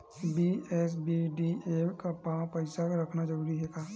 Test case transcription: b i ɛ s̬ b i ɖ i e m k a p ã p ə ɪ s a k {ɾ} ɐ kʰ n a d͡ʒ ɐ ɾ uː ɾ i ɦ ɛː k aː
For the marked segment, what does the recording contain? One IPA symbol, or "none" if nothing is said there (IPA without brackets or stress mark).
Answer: ɾ